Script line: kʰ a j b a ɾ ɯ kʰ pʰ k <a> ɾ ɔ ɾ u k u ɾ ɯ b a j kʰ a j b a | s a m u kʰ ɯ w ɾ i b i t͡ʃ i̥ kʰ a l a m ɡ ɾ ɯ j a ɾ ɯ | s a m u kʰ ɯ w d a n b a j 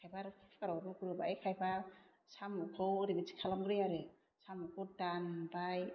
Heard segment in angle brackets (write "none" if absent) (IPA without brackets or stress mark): a